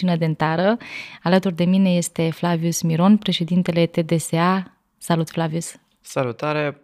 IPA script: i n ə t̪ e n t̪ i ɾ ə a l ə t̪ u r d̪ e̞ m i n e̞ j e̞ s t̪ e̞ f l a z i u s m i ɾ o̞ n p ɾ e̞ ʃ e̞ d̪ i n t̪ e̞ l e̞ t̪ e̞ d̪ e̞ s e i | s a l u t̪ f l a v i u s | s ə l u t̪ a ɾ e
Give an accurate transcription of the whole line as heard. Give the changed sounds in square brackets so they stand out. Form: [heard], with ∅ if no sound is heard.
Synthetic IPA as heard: i n ə [d̪] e n t̪ [a] ɾ ə a l ə t̪ u r d̪ e̞ m i n e̞ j e̞ s t̪ e̞ f l a [v] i u s m i ɾ o̞ n p ɾ e̞ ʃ e̞ d̪ i n t̪ e̞ l e̞ t̪ e̞ d̪ e̞ s e [a] | s a l u t̪ f l a v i u s | s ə l u t̪ a ɾ e